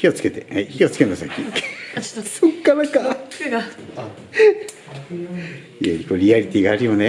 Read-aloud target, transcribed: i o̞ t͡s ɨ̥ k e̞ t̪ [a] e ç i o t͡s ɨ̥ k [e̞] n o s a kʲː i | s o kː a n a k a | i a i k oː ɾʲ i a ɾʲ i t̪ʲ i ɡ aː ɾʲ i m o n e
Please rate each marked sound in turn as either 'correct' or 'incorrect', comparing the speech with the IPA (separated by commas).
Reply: incorrect, correct